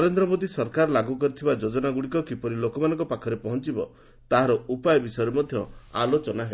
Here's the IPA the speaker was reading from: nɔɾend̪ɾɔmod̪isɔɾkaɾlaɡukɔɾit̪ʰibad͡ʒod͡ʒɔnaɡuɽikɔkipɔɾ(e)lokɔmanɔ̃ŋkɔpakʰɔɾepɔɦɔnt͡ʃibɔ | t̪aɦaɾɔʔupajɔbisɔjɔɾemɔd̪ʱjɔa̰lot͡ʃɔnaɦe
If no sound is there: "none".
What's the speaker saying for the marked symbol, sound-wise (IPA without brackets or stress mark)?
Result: i